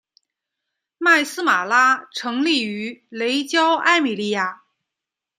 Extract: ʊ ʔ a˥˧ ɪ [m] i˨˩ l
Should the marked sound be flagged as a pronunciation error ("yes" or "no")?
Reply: no